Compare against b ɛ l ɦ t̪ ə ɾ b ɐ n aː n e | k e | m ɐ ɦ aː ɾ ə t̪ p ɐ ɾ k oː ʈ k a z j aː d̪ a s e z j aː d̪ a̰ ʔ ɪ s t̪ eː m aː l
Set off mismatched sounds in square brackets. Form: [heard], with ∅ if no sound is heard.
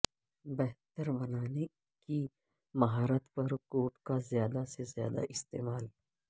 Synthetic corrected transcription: b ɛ [∅] ɦ t̪ ə ɾ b ɐ n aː n e | k [i] | m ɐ ɦ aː ɾ ə t̪ p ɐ ɾ k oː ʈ k a z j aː d̪ a s e z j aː d̪ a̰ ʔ ɪ s t̪ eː m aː l